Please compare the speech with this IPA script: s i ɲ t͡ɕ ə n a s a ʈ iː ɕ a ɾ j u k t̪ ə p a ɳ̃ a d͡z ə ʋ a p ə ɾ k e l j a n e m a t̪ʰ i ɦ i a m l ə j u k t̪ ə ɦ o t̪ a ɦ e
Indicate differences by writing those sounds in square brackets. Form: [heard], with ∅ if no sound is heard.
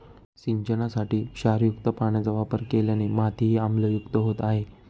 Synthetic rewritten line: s i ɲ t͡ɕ ə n a s a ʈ iː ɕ a ɾ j u k t̪ ə p a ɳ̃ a d͡z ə ʋ a p ə ɾ k e l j a n e m a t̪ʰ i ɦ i a m l ə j u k t̪ ə ɦ o t̪ a ɦ e